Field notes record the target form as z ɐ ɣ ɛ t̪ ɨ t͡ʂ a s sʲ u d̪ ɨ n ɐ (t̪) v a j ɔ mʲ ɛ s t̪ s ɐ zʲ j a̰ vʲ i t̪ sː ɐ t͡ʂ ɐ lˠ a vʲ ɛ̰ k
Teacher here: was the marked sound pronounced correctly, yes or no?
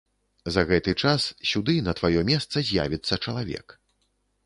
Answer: yes